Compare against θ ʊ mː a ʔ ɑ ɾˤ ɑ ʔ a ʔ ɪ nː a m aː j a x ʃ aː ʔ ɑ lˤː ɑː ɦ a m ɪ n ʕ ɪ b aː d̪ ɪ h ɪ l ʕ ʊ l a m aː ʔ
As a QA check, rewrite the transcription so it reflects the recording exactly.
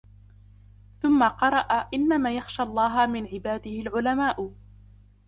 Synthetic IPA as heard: θ ʊ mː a q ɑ ɾˤ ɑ ʔ a ʔ ɪ nː a m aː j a x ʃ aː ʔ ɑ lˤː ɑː ɦ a m ɪ n ʕ ɪ b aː d̪ ɪ h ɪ l ʕ ʊ l a m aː ʔ